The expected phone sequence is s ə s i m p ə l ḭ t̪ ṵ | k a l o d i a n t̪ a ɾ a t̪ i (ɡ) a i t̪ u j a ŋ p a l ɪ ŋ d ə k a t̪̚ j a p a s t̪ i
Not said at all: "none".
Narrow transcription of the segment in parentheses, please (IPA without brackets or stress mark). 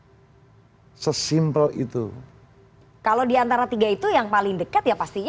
ɡ